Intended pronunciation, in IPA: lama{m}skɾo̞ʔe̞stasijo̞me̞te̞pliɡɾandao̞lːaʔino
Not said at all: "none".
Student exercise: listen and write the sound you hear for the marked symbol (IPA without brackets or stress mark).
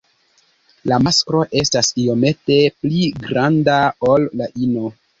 none